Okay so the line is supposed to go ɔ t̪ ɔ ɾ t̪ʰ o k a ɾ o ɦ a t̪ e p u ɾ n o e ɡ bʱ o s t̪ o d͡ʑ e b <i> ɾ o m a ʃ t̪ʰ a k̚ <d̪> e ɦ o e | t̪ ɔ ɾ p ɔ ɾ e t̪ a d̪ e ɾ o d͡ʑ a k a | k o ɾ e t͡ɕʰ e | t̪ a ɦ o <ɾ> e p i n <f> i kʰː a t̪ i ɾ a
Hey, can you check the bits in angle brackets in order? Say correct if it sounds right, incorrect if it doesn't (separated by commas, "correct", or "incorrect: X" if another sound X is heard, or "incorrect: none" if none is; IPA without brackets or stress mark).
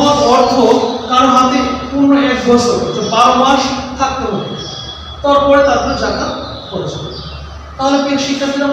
incorrect: a, incorrect: t̪, incorrect: l, incorrect: ʃ